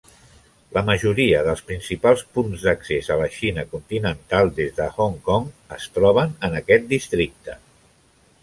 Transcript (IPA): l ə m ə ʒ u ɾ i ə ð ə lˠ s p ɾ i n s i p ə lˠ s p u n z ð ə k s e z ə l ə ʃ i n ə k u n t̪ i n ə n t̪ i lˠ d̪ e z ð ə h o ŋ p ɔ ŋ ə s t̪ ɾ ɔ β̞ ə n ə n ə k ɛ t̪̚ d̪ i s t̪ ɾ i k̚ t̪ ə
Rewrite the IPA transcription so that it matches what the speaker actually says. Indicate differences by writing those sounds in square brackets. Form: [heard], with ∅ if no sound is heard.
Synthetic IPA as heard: l ə m ə ʒ u ɾ i ə ð ə lˠ s p ɾ i n s i p [a] lˠ s p u n z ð ə k s e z ə l ə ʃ i n ə k u n t̪ i n ə n t̪ [a] lˠ d̪ e z ð ə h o ŋ [k] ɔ ŋ ə s t̪ ɾ ɔ β̞ ə n ə n ə k ɛ t̪̚ d̪ i s t̪ ɾ i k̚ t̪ ə